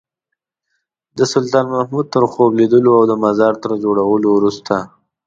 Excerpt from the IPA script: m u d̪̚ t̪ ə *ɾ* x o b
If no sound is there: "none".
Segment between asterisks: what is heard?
ɾ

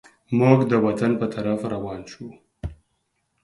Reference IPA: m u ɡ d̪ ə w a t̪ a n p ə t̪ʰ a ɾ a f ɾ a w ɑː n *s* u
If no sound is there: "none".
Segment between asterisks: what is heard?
ʃ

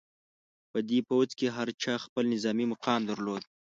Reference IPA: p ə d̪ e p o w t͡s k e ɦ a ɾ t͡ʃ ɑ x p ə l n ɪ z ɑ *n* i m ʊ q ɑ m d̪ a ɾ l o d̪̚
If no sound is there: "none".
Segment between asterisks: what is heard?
m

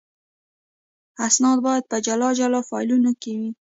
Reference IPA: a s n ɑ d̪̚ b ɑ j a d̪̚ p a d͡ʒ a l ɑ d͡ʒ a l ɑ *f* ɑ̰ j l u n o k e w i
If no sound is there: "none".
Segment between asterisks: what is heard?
f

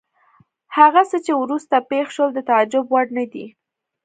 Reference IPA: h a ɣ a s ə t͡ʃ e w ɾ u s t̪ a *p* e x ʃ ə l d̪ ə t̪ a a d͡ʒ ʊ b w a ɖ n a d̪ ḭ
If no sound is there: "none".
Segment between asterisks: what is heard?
p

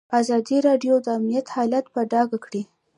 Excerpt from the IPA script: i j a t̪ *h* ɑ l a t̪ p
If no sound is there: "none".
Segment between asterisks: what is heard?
h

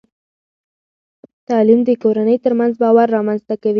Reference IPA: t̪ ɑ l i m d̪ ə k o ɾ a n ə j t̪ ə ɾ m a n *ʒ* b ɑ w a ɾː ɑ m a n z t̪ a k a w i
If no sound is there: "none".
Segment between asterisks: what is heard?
z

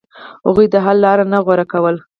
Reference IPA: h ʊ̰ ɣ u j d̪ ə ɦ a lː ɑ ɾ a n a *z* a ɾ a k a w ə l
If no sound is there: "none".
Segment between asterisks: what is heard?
ɣ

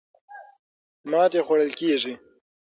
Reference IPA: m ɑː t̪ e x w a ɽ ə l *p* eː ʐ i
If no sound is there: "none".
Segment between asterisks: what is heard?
k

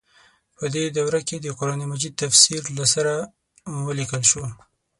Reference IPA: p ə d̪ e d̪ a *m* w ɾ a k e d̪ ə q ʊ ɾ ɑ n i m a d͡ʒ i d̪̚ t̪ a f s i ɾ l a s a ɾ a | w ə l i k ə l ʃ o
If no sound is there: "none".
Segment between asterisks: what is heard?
none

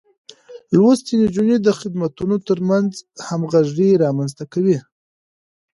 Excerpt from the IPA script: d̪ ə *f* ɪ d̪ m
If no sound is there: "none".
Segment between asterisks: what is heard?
x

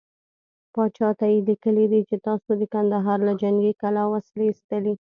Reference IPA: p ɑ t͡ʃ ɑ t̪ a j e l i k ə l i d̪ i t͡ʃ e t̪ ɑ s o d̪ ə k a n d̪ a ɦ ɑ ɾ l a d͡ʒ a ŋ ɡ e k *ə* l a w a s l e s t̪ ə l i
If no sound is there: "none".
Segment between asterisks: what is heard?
a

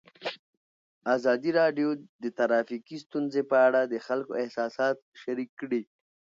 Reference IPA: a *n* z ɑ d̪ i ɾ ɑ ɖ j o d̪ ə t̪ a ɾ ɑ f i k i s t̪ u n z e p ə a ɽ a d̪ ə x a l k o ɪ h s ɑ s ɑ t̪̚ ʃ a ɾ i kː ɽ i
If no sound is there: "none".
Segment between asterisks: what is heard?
none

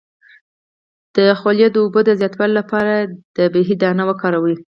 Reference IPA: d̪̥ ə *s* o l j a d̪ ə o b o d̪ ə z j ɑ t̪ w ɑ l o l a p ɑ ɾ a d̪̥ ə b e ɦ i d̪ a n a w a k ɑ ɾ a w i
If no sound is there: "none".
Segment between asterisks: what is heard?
x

